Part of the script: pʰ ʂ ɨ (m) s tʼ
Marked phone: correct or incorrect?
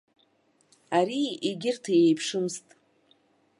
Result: correct